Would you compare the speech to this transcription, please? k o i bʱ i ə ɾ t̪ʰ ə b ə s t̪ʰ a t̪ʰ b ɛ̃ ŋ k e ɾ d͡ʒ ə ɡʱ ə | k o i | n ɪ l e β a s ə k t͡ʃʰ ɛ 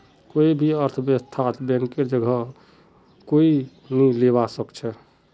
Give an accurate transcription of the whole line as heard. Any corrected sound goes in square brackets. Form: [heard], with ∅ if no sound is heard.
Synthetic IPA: k o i bʱ i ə ɾ t̪ʰ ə b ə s t̪ʰ a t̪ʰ b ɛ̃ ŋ k e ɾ d͡ʒ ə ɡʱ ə | k o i | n [i] l e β a s ə k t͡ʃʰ ɛ